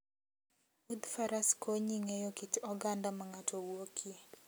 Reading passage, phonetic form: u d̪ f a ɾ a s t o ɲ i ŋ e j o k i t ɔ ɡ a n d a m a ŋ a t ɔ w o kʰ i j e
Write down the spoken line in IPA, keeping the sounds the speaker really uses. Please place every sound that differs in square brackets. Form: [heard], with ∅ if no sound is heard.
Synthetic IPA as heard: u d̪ f a ɾ a s [k] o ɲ i ŋ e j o k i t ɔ ɡ a n d a m a ŋ a t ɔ w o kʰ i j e